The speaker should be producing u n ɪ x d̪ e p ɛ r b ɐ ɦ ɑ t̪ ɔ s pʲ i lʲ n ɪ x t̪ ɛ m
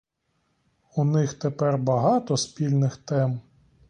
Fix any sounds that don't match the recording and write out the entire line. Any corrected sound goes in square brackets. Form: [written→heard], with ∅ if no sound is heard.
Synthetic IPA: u n ɪ x [d̪→t̪] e p ɛ r b ɐ ɦ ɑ t̪ ɔ s pʲ i lʲ n ɪ x t̪ ɛ m